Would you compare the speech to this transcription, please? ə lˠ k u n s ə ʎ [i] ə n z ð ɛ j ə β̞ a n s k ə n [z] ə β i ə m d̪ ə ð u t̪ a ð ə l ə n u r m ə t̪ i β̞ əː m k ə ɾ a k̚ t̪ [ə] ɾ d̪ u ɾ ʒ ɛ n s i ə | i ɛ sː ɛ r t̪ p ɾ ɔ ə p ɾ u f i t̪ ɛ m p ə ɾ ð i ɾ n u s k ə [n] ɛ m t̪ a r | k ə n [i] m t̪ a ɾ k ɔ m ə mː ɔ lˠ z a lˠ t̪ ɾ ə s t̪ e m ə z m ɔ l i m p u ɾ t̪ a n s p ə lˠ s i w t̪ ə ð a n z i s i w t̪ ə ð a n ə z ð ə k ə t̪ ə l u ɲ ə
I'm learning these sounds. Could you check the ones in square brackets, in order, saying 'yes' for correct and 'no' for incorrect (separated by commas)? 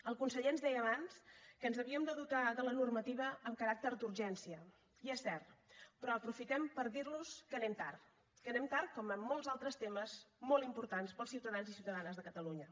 no, yes, yes, yes, no